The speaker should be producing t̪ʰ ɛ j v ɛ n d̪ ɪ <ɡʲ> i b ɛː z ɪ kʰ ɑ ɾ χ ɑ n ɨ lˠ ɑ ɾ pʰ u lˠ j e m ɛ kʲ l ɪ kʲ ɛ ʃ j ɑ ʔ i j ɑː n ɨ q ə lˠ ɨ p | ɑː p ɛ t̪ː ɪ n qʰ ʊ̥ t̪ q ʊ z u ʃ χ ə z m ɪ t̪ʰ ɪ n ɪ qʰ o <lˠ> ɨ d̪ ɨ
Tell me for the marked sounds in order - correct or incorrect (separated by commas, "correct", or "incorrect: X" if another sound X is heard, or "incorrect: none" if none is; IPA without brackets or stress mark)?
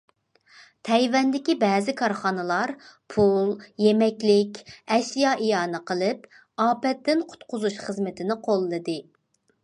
incorrect: kʲ, incorrect: lˠː